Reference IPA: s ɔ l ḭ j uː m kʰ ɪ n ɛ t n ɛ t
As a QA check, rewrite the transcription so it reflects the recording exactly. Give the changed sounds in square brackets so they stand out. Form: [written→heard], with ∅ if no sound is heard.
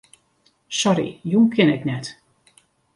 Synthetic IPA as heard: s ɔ [l→ɾ] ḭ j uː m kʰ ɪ n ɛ [t→k] n ɛ t